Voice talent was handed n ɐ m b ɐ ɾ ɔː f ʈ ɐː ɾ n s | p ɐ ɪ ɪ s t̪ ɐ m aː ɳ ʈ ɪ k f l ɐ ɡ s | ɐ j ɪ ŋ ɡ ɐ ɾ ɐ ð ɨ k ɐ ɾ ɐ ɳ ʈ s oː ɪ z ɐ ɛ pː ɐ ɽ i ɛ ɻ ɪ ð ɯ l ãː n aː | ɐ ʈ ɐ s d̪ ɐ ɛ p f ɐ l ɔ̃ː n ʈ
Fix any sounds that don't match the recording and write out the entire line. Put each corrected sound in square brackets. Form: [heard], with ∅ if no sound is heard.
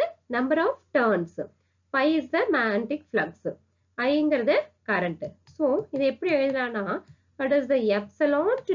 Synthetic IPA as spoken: n ɐ m b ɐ ɾ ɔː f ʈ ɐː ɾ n s | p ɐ ɪ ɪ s [d̪] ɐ m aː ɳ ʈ ɪ k f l ɐ ɡ s | ɐ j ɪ ŋ ɡ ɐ ɾ ɐ ð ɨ k ɐ ɾ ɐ ɳ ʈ s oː ɪ [ð] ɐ ɛ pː ɐ ɽ i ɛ ɻ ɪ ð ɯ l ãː n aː | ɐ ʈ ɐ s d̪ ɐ ɛ p [s] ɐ l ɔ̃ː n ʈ